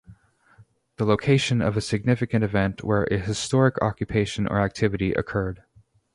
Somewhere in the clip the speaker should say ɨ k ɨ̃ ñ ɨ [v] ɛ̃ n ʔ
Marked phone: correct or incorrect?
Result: correct